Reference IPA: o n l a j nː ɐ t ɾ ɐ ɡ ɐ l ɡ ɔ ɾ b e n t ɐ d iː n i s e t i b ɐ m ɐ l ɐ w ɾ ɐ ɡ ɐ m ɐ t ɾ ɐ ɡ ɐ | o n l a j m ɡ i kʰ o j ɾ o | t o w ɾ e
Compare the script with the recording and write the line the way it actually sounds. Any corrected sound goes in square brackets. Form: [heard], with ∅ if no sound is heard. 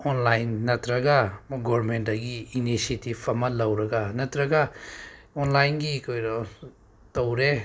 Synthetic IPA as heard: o n l a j nː ɐ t ɾ ɐ ɡ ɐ [∅] ɡ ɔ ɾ [m] e n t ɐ [ɡ] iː n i s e t i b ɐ m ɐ l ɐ w ɾ ɐ ɡ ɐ [n] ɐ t ɾ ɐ ɡ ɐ | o n l a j [n] ɡ i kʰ o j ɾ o | t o w ɾ e

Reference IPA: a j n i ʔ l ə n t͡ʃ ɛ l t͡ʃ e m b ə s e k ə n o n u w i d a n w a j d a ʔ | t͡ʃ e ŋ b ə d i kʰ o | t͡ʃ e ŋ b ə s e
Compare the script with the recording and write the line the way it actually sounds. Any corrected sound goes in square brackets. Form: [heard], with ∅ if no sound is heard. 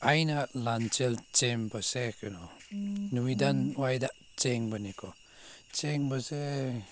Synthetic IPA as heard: a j n [a] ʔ l [a] n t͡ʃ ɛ l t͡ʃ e m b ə s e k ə n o n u w i d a n w a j d a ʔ | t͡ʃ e ŋ b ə [n] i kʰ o | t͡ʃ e ŋ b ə s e

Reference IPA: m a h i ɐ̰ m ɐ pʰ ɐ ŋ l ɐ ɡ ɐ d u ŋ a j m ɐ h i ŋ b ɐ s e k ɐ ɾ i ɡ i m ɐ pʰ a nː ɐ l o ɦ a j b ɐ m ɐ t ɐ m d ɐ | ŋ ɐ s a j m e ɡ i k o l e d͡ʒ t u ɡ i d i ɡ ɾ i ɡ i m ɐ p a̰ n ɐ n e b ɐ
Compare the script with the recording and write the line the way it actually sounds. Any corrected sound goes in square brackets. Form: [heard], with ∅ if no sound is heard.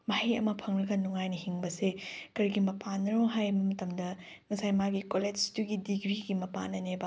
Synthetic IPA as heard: m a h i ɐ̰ m ɐ pʰ ɐ ŋ l ɐ ɡ ɐ [n] u ŋ a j [n] ɐ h i ŋ b ɐ s e k ɐ ɾ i ɡ i m ɐ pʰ a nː ɐ [ɾ] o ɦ a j b ɐ m ɐ t ɐ m d ɐ | ŋ ɐ s a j m [a] ɡ i k o l e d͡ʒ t u ɡ i d i ɡ ɾ i ɡ i m ɐ p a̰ n ɐ n e b ɐ

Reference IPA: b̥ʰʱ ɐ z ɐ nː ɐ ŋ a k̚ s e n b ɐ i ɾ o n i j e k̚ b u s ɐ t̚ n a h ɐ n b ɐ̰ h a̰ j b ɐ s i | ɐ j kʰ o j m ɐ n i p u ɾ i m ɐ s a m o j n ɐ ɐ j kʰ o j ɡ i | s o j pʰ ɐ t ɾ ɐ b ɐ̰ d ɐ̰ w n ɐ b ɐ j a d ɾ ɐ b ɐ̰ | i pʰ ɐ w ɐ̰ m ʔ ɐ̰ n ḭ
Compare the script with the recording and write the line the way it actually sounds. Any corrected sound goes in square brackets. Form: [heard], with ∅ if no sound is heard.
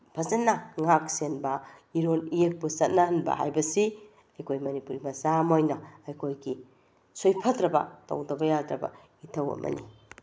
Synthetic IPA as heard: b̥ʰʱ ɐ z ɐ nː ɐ ŋ a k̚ s e n b ɐ i ɾ o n i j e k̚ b u s ɐ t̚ n a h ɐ n b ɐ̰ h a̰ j b ɐ s i | ɐ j kʰ o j m ɐ n i p u ɾ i m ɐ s a m o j n ɐ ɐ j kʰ o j ɡ i | s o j pʰ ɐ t ɾ ɐ b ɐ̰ [t] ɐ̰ w [d] ɐ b ɐ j a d ɾ ɐ b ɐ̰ | i [tʰ] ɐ w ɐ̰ m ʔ ɐ̰ n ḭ

